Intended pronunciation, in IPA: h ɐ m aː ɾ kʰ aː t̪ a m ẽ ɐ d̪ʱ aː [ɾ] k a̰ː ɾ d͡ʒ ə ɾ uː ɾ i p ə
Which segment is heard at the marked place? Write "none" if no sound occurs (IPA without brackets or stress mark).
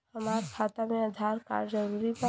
ɾ